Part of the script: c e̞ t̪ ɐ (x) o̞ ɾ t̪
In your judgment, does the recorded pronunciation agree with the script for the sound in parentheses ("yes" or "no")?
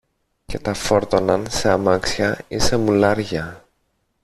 no